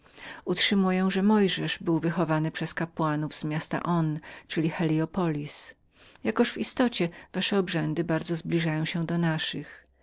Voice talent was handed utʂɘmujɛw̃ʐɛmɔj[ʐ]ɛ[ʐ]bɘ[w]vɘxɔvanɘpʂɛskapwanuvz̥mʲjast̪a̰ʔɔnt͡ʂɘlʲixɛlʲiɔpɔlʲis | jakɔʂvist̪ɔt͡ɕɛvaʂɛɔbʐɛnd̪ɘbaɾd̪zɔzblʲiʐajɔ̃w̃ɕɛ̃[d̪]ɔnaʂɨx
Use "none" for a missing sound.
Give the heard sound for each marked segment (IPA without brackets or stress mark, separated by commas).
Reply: ʐ, ʐ, w, d̪